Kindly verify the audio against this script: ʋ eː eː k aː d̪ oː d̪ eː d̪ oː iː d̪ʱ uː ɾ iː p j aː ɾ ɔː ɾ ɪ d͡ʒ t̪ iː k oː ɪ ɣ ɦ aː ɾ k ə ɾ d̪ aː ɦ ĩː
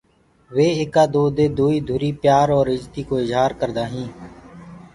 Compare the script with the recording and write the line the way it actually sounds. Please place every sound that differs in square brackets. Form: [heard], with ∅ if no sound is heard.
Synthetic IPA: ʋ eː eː k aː d̪ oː d̪ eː d̪ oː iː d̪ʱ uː ɾ iː p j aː ɾ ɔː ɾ ɪ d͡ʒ t̪ iː k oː ɪ [z] ɦ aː ɾ k ə ɾ d̪ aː ɦ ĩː